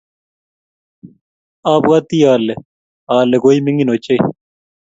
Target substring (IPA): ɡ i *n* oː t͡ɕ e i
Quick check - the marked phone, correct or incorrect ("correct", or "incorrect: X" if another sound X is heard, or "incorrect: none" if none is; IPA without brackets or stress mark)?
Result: correct